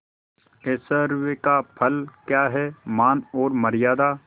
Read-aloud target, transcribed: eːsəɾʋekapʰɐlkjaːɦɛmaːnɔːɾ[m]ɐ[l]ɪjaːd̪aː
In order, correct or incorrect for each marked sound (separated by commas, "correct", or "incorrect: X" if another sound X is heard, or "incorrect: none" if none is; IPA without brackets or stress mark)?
correct, incorrect: ɾ